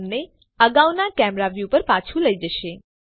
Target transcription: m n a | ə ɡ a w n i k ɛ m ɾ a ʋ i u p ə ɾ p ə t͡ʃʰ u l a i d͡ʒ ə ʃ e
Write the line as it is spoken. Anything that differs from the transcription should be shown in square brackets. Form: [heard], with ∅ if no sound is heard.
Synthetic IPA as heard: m n [e] | ə ɡ a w n [a] k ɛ m ɾ a ʋ [j] u p ə ɾ p [a] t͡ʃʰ u l [ə] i d͡ʒ ə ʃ e